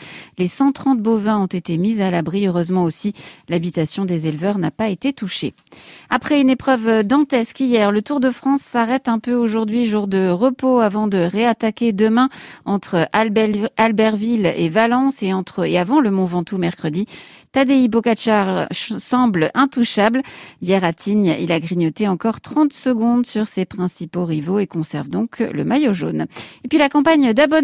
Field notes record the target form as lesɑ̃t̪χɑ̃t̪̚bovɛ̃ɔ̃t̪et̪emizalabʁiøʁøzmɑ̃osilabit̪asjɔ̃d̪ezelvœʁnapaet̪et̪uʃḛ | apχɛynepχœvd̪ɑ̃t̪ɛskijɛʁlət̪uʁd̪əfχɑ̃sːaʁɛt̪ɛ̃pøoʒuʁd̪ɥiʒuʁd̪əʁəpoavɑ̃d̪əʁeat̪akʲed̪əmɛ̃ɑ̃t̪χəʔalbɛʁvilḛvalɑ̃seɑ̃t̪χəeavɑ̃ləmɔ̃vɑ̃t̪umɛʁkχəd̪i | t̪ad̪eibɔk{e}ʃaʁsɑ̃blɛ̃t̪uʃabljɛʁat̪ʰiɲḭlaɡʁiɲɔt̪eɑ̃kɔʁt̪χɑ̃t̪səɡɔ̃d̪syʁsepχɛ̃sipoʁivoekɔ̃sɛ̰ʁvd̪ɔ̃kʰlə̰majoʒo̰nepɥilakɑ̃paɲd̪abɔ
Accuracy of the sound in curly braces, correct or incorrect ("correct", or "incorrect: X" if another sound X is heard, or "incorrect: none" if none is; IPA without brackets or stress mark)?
incorrect: a